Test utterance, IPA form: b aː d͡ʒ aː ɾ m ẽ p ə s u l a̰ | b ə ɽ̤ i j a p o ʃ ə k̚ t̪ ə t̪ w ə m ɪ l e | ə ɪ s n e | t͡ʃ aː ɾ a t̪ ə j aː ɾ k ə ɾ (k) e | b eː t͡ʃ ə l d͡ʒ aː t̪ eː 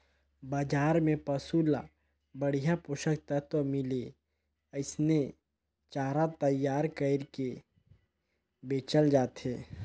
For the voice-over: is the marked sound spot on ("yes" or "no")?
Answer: yes